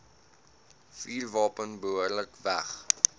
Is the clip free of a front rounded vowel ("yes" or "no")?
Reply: yes